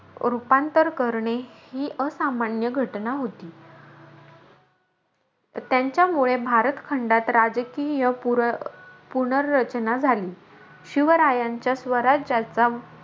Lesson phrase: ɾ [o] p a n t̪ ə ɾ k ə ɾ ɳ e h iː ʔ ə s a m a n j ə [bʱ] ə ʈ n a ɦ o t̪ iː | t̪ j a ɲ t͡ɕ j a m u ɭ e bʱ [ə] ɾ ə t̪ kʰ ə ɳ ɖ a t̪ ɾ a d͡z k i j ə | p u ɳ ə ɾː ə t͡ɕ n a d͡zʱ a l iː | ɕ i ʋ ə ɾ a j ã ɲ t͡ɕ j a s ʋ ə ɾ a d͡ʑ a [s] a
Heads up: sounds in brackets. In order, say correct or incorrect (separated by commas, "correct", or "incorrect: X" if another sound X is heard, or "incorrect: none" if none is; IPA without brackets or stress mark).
incorrect: u, incorrect: ɡʱ, incorrect: a, incorrect: t͡s